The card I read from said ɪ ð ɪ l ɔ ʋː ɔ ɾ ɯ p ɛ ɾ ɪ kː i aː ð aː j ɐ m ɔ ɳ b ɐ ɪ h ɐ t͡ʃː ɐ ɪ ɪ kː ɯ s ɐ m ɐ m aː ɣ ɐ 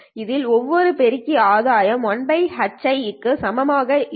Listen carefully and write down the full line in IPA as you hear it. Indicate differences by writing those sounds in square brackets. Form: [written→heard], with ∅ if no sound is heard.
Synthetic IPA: ɪ ð ɪ l ɔ ʋː ɔ ɾ ɯ p ɛ ɾ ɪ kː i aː ð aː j ɐ m ɔ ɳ b ɐ ɪ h ɐ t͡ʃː ɐ ɪ ɪ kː ɯ s ɐ m ɐ m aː ɣ ɐ